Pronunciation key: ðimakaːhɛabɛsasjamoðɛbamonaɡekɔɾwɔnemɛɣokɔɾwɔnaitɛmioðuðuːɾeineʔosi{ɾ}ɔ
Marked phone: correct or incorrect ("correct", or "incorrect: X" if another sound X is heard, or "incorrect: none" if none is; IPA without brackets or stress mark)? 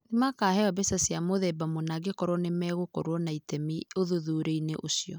incorrect: none